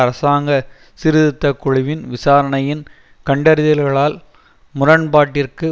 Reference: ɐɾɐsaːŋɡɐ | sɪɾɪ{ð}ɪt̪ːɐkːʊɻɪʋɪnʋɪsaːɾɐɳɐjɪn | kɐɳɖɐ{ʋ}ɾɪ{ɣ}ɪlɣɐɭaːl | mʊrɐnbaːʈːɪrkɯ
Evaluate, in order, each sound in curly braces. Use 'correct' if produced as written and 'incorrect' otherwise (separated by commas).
correct, incorrect, incorrect